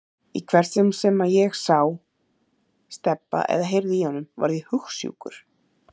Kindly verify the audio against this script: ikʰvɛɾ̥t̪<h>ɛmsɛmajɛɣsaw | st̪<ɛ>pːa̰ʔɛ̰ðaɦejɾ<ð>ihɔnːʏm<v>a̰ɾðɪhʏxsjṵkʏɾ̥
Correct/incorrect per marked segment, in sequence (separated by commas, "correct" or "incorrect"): incorrect, correct, correct, correct